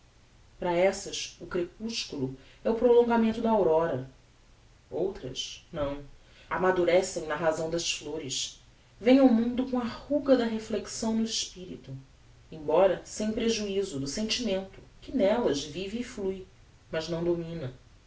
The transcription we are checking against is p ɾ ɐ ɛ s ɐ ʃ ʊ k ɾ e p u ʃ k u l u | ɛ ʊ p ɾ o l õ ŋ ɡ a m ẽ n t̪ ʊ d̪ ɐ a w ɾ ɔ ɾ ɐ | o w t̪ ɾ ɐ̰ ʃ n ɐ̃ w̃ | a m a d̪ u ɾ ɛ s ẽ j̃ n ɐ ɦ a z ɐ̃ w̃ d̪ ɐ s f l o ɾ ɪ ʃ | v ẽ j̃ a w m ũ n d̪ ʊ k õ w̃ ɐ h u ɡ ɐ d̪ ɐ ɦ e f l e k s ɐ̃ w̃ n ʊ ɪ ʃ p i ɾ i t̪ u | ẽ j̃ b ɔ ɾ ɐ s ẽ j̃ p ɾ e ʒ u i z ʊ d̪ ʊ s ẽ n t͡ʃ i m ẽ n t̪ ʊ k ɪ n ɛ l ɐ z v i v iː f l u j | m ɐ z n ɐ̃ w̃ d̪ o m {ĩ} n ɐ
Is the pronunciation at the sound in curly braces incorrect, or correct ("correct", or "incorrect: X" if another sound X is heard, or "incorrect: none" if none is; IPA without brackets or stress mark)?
correct